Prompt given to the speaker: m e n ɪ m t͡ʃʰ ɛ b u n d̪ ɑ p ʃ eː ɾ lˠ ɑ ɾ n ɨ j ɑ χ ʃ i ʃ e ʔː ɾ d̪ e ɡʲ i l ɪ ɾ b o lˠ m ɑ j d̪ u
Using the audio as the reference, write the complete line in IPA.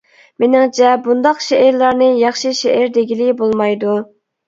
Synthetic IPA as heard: m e n ɪ ŋ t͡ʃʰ ɛ b u n d̪ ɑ q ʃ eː ɾ lˠ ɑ ɾ n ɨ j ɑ χ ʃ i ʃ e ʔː ɾ d̪ e ɡʲ i l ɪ b o lˠ m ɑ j d̪ u